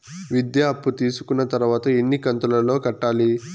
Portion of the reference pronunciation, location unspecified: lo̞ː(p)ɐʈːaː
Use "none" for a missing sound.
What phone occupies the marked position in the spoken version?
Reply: k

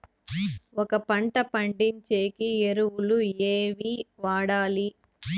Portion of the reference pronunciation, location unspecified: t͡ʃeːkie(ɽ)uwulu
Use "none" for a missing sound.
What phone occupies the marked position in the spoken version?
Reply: ɾ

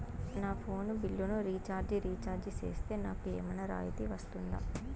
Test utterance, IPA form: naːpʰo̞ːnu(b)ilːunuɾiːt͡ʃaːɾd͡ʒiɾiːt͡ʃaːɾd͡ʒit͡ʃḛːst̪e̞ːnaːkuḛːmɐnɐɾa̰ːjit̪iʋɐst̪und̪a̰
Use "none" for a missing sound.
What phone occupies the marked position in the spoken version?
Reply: b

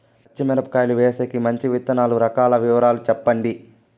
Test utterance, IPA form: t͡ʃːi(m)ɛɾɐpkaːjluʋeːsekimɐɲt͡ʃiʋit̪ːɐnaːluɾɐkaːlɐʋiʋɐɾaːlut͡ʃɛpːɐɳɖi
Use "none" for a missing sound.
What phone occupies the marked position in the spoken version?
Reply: m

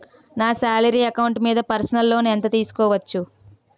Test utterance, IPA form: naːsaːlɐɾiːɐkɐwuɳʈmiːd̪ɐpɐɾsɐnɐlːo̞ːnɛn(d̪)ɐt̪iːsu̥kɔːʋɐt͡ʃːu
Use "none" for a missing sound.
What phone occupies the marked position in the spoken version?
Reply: t̪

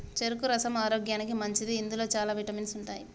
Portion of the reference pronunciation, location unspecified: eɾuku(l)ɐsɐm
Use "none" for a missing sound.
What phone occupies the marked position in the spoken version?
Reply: ɾ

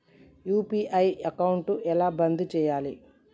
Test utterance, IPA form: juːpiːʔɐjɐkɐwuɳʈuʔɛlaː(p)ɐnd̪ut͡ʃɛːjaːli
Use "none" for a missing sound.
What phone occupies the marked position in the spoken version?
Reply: b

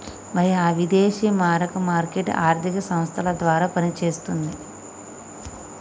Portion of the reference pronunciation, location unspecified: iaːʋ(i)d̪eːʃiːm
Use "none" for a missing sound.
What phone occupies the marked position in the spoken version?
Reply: i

